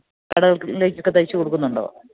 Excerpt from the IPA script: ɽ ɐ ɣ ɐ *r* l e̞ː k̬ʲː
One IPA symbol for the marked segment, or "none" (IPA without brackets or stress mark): ɭ